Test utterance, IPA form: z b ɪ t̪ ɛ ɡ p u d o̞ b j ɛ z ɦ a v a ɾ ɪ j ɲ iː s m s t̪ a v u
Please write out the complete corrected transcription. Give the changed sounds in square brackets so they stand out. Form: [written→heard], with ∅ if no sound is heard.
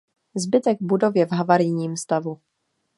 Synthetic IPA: z b ɪ t̪ ɛ ɡ [p→b] u d o̞ [b→v] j ɛ [z→v] ɦ a v a ɾ ɪ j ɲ iː [s→∅] m s t̪ a v u